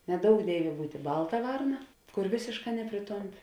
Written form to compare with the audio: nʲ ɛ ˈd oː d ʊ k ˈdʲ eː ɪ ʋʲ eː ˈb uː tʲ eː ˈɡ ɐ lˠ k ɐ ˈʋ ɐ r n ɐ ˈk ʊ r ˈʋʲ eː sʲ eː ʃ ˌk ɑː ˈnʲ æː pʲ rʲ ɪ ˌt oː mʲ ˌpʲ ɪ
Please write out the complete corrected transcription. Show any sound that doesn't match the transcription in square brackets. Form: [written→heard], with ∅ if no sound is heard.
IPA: nʲ ɛ ˈd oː [d→∅] ʊ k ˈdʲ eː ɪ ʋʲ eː ˈb uː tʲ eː [ˈɡ→ˈb] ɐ lˠ [k→t] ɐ ˈʋ ɐ r n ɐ ˈk ʊ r ˈʋʲ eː sʲ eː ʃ ˌk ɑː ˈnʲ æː pʲ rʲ ɪ ˌt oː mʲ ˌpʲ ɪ